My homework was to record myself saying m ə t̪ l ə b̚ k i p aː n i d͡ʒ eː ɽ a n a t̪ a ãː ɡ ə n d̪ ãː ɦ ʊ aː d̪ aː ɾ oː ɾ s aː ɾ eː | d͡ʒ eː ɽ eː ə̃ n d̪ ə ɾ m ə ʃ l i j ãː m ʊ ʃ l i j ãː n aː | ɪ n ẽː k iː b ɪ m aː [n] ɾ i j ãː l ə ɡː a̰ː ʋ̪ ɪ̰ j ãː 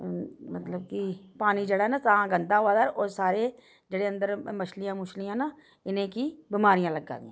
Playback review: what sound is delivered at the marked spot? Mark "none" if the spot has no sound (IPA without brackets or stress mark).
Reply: none